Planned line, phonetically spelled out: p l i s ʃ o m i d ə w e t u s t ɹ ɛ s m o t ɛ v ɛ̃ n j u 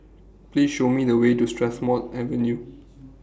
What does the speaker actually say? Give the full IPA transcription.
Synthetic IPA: p l i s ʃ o m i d ə w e t u s t ɹ ɛ s m ɔ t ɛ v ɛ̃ n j u